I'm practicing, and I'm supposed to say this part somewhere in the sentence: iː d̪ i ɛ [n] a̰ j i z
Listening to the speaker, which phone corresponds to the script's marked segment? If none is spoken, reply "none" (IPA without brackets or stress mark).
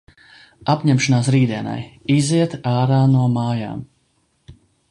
n